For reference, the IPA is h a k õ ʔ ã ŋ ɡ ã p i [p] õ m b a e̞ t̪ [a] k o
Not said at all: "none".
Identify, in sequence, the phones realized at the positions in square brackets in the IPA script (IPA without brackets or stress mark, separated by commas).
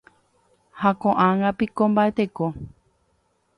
k, e